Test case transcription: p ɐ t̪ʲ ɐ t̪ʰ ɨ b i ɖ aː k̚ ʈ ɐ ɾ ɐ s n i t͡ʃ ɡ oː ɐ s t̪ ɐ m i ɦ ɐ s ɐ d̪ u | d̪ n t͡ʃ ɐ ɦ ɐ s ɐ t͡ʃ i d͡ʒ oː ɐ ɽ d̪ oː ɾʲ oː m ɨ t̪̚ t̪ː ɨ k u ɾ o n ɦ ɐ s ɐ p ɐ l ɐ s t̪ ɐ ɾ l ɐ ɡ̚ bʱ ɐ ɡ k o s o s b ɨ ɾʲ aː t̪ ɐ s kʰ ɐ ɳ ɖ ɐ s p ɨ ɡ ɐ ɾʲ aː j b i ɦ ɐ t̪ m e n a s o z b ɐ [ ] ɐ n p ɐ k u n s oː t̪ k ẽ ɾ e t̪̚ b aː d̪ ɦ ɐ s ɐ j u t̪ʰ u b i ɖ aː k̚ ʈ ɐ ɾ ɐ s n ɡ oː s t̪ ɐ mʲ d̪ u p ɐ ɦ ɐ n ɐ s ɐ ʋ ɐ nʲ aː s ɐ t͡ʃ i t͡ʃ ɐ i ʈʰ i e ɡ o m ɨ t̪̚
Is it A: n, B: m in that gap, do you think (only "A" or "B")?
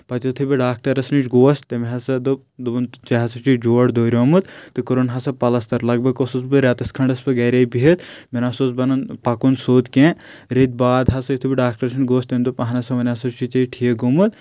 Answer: A